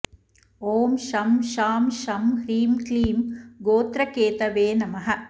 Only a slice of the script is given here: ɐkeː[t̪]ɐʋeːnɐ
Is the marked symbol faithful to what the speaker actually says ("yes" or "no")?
yes